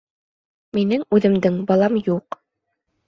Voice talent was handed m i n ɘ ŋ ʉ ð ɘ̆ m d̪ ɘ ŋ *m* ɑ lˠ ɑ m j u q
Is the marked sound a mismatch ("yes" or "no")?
yes